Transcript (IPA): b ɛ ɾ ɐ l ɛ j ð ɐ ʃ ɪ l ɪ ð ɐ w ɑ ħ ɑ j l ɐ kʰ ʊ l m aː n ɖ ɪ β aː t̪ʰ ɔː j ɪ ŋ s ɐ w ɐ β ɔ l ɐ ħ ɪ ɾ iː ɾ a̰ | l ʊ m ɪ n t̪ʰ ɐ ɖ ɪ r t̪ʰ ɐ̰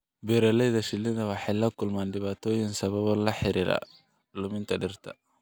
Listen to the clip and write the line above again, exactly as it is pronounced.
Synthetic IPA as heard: b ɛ ɾ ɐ l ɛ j ð ɐ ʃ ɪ l ɪ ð ɐ w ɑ ħ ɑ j l ɐ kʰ ʊ l m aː n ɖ ɪ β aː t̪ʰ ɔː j ɪ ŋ s ɐ β ɐ β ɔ l ɐ ħ ɪ ɾ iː ɾ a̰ | l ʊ m ɪ n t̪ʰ ɐ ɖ ɪ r t̪ʰ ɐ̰